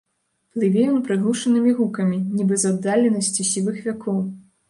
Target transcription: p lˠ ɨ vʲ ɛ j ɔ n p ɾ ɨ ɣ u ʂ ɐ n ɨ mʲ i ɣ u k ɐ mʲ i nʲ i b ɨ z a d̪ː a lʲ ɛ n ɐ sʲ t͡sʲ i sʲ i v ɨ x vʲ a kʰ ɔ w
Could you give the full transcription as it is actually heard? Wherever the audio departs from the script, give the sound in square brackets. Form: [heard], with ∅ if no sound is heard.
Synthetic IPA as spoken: p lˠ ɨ vʲ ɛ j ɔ n p ɾ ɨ ɣ u ʂ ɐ n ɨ mʲ i ɣ u k ɐ mʲ i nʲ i b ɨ z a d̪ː a lʲ ɛ n ɐ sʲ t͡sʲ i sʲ i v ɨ x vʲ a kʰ ɔ w